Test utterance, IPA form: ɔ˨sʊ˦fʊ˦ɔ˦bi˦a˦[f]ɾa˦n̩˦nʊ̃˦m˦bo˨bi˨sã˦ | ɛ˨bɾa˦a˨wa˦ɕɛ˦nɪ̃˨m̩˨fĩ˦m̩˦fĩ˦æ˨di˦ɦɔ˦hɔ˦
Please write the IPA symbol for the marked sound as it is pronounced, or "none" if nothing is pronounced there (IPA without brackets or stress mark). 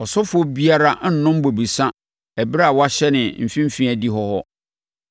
none